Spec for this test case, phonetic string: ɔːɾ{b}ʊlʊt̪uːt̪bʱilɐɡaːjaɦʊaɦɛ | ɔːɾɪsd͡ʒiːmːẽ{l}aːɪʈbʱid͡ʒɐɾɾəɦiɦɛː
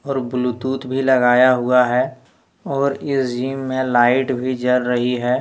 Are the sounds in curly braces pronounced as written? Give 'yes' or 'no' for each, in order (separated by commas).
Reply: yes, yes